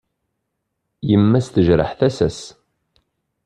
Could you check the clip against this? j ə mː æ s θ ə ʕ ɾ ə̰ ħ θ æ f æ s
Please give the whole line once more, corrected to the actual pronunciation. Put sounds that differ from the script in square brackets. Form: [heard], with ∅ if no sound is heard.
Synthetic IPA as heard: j ə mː æ s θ ə [ʒ] ɾ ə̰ ħ θ æ [s] æ s